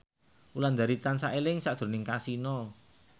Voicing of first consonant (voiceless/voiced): voiced